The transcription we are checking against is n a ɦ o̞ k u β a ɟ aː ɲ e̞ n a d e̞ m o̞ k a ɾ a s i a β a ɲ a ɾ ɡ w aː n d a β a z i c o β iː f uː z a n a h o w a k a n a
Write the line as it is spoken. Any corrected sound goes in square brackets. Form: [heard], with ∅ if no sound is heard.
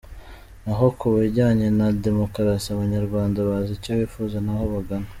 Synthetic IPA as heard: n a ɦ o̞ k u β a ɟ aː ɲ e̞ n a d e̞ m o̞ k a ɾ a s i a β a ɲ a ɾ ɡ w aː n d a β a z i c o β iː f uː z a n a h o [β] a [ɡ] a n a